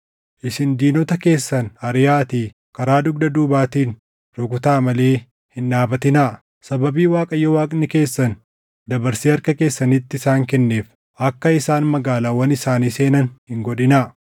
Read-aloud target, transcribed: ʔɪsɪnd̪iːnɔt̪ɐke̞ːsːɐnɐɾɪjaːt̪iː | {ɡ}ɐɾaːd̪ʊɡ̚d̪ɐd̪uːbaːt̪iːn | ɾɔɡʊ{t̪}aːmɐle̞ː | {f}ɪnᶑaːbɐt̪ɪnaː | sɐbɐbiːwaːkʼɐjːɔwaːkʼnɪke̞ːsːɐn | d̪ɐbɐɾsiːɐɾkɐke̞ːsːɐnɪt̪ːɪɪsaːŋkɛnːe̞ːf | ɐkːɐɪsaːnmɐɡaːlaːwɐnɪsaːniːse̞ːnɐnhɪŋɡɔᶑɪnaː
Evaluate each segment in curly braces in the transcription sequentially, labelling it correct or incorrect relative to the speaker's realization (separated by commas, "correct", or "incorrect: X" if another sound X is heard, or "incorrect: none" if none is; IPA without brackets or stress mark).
incorrect: k, correct, incorrect: h